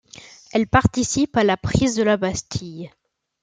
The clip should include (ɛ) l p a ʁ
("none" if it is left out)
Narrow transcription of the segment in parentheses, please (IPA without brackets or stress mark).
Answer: ɛ